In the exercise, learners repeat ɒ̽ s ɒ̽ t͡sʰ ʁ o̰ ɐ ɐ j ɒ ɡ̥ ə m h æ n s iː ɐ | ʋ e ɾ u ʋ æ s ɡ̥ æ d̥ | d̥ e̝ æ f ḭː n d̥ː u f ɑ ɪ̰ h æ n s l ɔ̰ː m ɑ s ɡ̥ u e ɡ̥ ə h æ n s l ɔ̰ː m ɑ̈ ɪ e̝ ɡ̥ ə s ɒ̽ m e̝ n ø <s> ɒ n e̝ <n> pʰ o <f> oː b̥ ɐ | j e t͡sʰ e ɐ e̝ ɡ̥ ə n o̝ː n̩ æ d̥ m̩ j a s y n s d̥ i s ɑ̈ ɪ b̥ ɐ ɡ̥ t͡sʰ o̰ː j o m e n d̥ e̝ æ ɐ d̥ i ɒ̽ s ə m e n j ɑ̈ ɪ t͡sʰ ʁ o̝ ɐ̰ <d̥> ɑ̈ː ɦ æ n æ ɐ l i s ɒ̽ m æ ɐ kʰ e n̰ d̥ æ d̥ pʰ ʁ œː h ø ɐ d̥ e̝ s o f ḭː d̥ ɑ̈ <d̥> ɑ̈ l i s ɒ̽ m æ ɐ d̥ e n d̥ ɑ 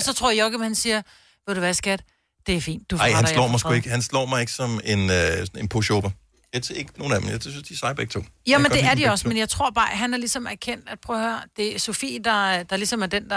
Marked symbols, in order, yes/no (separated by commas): yes, yes, no, no, yes